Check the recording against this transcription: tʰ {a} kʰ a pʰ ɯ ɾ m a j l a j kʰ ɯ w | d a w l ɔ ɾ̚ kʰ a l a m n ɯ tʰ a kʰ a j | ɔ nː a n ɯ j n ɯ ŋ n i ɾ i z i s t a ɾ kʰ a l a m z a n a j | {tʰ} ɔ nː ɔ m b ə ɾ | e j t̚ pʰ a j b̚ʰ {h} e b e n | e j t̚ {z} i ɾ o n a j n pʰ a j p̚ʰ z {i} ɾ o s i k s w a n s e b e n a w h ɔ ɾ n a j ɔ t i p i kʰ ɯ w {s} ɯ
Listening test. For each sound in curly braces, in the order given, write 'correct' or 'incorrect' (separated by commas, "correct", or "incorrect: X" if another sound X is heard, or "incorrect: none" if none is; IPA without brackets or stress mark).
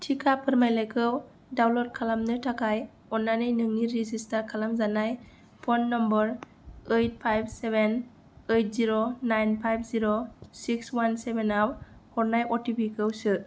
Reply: incorrect: i, incorrect: pʰ, incorrect: s, correct, correct, correct